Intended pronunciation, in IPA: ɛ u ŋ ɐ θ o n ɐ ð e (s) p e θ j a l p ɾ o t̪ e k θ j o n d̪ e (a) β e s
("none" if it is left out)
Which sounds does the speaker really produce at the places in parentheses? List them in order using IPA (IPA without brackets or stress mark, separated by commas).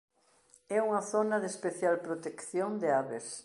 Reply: s, a